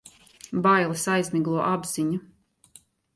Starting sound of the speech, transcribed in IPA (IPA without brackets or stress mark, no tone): b